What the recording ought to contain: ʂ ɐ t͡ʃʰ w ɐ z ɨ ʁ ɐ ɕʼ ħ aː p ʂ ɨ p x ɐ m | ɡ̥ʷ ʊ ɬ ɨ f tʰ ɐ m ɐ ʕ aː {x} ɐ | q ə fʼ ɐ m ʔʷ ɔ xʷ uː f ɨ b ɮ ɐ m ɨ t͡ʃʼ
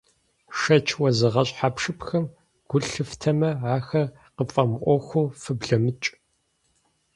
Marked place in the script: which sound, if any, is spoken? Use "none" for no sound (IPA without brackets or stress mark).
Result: x